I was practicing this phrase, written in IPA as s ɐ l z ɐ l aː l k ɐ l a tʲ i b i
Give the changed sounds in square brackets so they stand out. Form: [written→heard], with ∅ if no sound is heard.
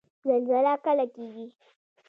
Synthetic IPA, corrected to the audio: [s→z] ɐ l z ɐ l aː [l→∅] k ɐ l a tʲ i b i